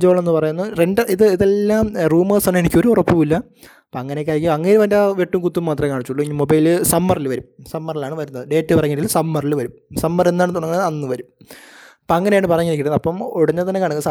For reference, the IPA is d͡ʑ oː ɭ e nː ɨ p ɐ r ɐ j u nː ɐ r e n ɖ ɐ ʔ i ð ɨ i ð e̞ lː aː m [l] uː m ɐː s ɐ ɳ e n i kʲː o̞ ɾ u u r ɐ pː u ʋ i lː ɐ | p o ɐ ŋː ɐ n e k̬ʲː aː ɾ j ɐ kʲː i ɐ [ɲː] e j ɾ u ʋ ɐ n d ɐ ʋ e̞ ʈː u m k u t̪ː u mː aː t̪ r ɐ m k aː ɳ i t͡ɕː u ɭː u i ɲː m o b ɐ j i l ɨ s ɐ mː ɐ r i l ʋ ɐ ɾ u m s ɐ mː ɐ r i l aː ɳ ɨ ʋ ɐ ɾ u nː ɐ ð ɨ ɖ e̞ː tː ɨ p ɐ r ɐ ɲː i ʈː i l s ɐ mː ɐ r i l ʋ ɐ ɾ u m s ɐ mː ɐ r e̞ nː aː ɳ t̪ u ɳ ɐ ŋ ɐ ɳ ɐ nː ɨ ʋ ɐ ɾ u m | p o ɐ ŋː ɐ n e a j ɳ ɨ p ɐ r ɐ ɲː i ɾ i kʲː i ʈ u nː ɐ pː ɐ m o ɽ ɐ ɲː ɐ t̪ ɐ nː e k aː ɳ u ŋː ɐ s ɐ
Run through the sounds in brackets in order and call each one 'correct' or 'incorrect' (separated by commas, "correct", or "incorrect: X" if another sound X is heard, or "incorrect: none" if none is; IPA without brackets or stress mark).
incorrect: r, incorrect: ŋː